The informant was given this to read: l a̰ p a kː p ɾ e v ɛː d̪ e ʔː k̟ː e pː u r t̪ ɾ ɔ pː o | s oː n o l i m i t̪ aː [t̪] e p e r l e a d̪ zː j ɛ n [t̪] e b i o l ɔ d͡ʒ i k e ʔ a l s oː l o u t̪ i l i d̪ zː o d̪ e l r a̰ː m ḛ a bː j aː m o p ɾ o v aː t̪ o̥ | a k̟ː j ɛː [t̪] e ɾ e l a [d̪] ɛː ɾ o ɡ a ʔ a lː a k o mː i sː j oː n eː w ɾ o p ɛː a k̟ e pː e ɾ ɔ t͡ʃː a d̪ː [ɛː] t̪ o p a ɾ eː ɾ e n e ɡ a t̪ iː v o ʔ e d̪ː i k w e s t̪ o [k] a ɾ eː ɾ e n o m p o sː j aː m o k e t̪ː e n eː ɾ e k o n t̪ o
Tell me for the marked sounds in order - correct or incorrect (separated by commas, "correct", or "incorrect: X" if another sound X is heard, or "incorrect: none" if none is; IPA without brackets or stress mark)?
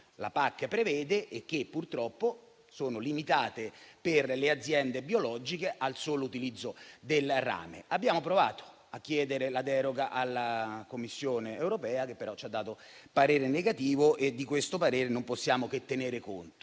correct, incorrect: d̪, incorrect: d̪, correct, incorrect: aː, incorrect: p